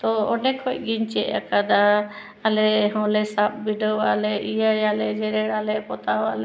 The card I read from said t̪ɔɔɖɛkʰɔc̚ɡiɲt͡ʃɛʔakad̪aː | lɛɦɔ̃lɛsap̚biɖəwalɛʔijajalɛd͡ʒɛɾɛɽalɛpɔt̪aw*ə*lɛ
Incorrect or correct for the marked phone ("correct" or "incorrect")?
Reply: incorrect